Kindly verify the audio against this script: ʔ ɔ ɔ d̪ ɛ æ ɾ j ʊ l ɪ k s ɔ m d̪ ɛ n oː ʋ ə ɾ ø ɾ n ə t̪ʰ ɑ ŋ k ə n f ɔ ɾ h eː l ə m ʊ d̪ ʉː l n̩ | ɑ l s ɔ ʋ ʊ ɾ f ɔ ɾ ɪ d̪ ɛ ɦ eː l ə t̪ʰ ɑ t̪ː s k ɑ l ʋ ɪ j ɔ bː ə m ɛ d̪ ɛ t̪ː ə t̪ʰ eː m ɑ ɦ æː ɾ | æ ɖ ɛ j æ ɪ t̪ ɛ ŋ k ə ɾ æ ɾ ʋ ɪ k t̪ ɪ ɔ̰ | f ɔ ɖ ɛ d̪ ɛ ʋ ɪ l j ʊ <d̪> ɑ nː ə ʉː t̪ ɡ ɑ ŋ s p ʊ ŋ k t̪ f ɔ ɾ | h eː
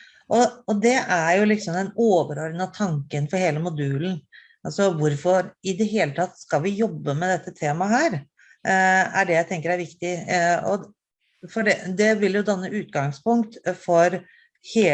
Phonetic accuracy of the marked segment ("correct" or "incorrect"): correct